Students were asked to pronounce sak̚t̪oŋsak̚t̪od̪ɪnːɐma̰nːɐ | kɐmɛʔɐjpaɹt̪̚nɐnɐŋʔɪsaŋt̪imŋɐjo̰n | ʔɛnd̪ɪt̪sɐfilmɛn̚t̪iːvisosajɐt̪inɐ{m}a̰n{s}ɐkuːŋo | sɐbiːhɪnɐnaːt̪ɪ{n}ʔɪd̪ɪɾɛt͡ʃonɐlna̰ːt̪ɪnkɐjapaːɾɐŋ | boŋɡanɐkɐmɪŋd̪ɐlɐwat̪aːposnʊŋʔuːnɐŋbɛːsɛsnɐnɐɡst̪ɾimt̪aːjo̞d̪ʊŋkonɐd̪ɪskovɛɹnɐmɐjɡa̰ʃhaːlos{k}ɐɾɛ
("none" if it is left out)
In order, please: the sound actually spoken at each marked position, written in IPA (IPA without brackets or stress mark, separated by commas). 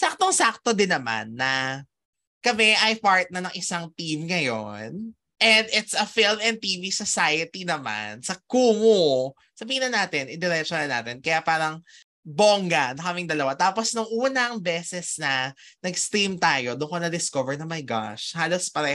m, s, n, p